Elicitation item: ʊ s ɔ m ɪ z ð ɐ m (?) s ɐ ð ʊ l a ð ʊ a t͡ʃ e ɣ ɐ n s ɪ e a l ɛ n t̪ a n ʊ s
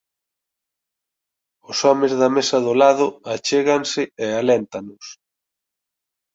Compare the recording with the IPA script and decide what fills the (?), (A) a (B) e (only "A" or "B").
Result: B